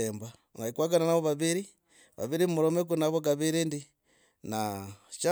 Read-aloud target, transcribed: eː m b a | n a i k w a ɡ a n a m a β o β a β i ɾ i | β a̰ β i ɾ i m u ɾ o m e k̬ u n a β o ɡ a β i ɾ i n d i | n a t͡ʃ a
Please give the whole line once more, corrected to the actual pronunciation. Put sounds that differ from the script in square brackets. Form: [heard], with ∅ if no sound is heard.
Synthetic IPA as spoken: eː m b a | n a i k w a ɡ a n a [n] a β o β a β i ɾ i | β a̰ β i ɾ i m u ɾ o m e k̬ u n a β o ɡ a β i ɾ i n d i | n a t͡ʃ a